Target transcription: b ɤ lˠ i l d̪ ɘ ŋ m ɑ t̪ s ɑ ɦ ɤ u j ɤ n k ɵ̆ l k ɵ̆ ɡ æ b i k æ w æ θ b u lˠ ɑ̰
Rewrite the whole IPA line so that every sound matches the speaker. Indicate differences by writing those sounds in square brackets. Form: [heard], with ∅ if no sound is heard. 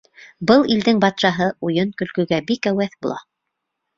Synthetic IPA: b ɤ lˠ i l d̪ ɘ ŋ [b] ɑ t̪ [ʃ] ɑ ɦ ɤ u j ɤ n k ɵ̆ l k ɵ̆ ɡ æ b i k æ w æ θ b u lˠ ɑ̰